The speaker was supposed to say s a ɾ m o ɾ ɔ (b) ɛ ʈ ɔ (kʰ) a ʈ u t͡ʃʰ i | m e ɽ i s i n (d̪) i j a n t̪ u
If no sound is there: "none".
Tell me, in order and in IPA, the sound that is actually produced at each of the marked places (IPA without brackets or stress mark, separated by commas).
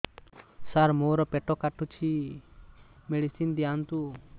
p, k, d̪